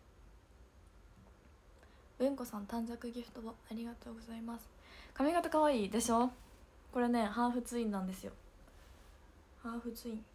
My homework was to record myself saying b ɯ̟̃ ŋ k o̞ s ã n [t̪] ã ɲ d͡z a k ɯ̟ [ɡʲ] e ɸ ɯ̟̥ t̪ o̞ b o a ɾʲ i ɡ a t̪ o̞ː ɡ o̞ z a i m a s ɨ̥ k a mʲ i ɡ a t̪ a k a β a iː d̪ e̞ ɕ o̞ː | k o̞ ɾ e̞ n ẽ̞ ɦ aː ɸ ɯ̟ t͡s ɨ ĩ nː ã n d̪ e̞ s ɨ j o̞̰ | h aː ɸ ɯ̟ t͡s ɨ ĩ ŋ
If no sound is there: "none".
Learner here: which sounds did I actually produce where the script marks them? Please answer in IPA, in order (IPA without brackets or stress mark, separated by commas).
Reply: t̪, ɡʲ